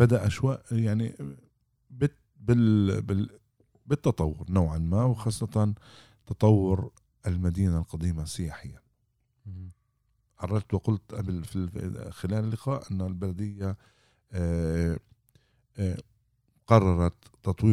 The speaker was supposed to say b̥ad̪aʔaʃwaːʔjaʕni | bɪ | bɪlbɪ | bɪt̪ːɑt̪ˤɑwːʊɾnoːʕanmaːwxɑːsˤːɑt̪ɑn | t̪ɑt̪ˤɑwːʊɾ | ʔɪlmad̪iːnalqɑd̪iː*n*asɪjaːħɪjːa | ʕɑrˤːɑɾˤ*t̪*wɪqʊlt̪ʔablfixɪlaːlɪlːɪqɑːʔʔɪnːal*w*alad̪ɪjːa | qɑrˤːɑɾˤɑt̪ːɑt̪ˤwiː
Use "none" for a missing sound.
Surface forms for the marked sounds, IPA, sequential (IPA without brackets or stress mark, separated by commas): m, t̪, b